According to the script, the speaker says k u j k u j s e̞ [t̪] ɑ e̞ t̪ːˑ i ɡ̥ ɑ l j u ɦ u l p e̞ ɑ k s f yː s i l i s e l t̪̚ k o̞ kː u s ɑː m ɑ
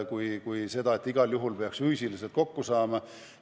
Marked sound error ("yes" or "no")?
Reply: yes